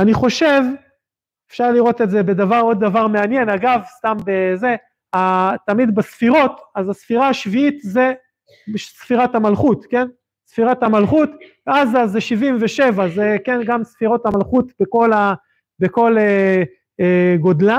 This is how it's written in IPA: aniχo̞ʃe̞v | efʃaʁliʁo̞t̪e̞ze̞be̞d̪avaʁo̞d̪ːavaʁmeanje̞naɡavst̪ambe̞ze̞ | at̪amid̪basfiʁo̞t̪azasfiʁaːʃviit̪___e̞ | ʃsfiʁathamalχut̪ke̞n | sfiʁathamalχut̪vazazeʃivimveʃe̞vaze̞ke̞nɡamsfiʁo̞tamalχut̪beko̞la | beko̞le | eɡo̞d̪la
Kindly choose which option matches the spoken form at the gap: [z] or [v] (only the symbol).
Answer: z